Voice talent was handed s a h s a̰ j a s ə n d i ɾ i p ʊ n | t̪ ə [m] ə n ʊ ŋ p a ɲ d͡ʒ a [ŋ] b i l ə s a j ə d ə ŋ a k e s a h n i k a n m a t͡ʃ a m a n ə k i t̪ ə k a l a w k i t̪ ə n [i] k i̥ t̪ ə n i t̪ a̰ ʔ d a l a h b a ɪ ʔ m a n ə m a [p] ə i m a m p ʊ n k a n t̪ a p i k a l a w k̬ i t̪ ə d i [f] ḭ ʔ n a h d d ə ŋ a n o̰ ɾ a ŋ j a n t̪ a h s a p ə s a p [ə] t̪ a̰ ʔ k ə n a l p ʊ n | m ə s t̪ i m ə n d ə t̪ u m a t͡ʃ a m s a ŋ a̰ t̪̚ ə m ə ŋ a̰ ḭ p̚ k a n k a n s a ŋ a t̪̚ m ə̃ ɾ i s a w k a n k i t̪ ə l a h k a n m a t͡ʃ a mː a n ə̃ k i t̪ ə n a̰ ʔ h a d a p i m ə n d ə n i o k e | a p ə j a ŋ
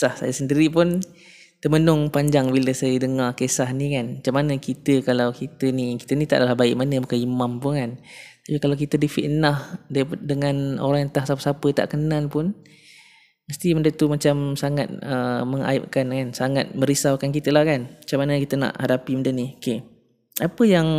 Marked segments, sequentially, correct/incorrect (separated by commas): correct, correct, correct, incorrect, correct, correct